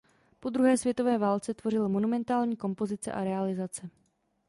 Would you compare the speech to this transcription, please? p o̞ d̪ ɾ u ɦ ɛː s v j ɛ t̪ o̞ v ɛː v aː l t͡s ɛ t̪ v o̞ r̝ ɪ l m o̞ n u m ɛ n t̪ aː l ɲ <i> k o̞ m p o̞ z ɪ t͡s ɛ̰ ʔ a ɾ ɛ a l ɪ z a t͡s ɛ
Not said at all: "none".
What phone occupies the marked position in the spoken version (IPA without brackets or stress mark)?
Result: iː